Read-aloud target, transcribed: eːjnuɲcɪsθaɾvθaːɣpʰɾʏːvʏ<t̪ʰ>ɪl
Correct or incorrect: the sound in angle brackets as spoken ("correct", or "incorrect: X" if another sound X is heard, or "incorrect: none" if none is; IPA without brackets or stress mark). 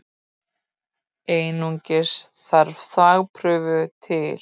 correct